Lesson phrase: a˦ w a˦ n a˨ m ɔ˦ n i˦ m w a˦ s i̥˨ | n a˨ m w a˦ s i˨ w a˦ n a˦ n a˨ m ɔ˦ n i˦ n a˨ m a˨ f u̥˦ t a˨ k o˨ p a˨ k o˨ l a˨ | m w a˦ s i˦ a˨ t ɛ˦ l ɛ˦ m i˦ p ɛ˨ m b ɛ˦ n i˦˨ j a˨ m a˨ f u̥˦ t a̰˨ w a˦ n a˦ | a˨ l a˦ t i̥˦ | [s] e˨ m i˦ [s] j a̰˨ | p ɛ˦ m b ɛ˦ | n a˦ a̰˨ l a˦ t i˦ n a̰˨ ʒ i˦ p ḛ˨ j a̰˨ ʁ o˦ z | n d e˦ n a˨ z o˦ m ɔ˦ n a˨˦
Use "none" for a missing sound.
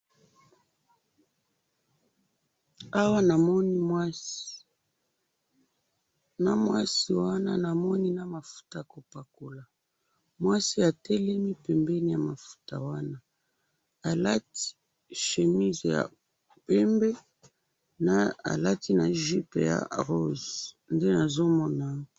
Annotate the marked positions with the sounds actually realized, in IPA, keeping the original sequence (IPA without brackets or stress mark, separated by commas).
ʃ, z